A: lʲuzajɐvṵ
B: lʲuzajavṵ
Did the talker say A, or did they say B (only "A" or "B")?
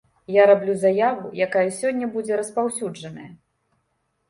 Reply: B